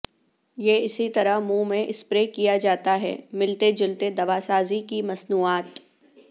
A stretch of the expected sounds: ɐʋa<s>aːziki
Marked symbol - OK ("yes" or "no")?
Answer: yes